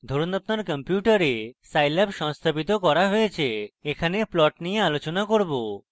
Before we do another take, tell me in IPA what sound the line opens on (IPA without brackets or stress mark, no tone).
d̪ʱ